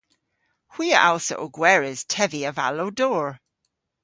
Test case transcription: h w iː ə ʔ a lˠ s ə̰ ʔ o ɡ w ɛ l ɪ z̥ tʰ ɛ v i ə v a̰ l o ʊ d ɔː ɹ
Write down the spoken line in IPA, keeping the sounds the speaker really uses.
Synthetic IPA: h w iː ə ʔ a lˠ s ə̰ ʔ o ɡ w ɛ ɹ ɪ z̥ tʰ ɛ v i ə v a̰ l o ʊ d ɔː ɹ